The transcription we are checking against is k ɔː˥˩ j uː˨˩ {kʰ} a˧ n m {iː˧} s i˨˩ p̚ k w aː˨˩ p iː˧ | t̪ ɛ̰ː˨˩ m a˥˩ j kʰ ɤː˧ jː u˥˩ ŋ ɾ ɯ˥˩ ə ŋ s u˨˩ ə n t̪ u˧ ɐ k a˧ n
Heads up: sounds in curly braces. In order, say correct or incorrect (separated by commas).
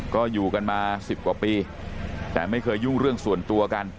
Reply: incorrect, incorrect